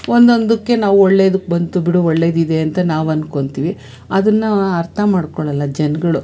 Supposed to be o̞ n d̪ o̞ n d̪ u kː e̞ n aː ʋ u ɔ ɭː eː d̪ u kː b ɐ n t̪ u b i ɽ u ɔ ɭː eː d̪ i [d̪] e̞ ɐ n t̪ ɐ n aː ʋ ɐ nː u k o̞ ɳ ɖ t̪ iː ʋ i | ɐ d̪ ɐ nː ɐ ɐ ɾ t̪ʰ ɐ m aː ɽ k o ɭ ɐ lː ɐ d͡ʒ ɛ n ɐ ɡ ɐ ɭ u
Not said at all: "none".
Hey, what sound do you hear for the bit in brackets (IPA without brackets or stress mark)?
d̪